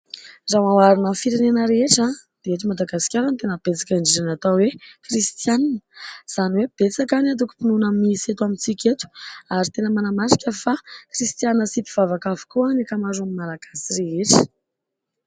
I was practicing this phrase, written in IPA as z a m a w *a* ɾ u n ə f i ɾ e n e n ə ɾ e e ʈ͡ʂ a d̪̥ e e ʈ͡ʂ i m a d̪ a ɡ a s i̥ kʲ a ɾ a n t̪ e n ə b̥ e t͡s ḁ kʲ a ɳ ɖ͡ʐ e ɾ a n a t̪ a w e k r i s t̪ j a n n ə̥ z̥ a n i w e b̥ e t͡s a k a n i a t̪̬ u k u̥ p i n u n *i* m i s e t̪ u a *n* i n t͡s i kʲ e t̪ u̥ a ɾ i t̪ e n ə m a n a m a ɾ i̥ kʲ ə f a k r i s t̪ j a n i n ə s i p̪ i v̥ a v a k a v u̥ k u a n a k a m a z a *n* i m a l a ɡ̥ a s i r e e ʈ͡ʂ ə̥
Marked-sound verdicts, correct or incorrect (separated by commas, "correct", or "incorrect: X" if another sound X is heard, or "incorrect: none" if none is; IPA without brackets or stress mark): correct, incorrect: a, incorrect: m, incorrect: m